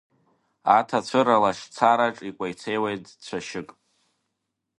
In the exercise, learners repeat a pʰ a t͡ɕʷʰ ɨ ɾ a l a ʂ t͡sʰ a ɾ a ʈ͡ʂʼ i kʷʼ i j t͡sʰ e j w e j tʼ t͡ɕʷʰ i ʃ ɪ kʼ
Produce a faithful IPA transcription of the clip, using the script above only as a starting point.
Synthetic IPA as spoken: a tʰ a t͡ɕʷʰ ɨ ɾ a l a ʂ t͡sʰ a ɾ a ʈ͡ʂʼ i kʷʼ a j t͡sʰ e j w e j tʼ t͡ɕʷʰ a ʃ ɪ kʼ